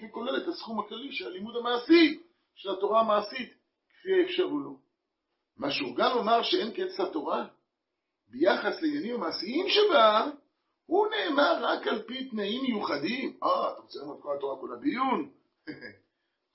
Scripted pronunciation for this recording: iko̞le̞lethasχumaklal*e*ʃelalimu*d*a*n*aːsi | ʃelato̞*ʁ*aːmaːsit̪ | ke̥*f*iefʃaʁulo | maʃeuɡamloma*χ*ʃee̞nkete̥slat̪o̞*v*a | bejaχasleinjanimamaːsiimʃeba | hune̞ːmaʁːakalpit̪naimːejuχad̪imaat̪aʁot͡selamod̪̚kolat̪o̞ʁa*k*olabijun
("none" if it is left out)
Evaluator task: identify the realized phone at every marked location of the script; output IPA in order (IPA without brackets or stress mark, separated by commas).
i, d, m, ʁ, f, ʁ, ʁ, k